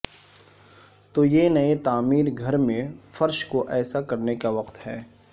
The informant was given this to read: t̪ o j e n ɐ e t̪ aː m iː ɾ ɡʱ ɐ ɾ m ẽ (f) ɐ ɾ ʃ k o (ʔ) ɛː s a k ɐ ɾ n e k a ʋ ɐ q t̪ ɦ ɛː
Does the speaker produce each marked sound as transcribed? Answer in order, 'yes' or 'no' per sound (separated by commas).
yes, yes